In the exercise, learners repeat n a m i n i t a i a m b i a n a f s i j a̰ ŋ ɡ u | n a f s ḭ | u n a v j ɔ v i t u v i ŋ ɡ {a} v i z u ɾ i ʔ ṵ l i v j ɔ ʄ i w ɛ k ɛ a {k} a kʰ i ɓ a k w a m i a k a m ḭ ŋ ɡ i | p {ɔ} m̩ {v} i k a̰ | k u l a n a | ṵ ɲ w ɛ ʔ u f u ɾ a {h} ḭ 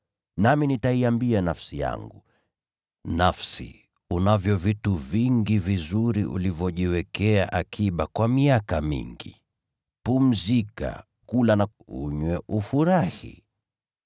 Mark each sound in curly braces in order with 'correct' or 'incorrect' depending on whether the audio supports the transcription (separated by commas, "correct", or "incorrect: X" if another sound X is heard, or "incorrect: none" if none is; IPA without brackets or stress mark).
incorrect: i, incorrect: ʔ, incorrect: u, incorrect: z, correct